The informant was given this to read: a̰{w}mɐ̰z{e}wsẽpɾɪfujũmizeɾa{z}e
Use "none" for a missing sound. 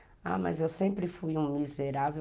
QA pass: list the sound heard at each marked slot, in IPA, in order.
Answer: none, e, v

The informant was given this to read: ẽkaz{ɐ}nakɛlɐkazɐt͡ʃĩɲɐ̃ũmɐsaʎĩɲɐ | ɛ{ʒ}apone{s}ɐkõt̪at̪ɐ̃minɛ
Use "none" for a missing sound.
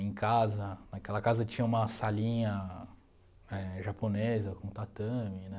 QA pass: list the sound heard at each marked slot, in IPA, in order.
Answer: ɐ, ʒ, z

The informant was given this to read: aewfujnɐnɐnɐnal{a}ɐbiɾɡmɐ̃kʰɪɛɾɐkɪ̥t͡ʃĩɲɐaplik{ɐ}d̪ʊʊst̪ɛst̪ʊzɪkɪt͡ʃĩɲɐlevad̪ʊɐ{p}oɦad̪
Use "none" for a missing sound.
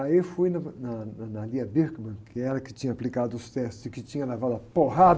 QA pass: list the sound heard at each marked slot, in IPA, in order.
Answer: i, a, p

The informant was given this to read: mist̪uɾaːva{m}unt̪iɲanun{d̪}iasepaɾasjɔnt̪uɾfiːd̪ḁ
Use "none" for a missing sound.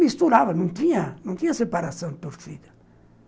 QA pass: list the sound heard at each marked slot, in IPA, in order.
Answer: n, t̪

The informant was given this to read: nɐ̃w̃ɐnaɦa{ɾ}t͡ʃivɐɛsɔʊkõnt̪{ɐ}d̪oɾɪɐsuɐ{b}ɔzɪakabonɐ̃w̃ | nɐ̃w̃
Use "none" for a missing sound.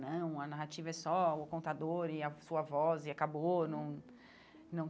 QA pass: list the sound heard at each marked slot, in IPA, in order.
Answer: none, a, v

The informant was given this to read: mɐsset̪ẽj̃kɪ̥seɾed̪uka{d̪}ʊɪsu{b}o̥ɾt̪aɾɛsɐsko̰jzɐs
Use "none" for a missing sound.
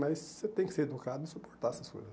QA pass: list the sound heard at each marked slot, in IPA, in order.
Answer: d̪, p

